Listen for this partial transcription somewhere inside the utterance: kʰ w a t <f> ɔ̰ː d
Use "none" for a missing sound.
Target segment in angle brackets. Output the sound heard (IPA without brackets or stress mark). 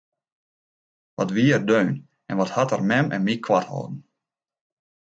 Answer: h